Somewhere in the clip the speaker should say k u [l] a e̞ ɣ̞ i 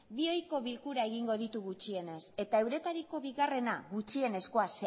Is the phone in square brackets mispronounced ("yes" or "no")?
yes